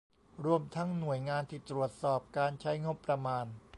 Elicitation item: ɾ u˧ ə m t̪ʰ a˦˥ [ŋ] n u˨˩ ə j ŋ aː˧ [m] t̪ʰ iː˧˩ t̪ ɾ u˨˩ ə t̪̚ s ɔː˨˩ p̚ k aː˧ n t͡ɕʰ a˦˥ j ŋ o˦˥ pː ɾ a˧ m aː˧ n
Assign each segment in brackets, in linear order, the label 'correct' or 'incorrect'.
correct, incorrect

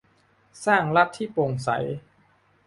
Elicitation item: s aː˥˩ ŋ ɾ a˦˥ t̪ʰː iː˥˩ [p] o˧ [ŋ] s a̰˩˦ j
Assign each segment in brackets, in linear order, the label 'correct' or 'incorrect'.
correct, correct

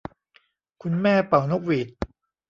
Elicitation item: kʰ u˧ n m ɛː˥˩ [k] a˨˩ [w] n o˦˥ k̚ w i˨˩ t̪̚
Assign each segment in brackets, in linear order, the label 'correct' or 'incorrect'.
incorrect, correct

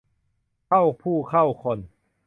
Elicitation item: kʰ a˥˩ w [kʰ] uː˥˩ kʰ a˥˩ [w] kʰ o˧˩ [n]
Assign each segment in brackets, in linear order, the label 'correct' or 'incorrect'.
incorrect, correct, correct

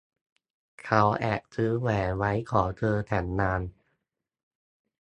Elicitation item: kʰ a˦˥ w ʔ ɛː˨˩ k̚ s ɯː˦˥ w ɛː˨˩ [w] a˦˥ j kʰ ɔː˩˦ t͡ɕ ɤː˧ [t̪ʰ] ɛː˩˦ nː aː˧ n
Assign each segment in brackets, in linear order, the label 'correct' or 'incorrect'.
correct, correct

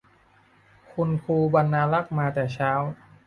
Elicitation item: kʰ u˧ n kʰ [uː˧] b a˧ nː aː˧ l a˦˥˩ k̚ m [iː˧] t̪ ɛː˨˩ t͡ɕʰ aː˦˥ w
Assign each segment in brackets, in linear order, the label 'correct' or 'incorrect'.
correct, incorrect

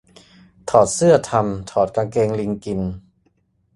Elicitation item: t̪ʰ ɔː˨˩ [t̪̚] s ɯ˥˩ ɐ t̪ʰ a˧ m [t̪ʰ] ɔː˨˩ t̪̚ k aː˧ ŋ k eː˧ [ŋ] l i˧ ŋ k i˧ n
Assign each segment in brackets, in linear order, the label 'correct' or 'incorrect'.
correct, correct, correct

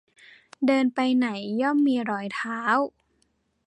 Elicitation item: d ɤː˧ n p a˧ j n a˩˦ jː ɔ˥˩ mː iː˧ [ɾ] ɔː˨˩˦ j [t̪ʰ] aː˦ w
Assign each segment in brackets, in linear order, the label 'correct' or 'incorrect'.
correct, correct

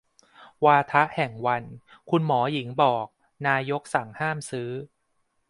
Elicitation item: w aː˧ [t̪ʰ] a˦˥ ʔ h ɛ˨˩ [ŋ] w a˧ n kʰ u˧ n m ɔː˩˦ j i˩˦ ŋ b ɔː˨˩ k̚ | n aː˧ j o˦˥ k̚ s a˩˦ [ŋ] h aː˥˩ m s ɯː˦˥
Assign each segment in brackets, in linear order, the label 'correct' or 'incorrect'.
correct, correct, correct

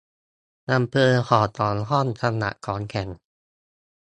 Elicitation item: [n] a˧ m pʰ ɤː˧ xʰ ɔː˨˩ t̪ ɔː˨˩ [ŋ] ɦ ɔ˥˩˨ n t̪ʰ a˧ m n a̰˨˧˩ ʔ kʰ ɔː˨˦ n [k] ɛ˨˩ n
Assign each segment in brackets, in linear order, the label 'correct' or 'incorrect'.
correct, incorrect, incorrect

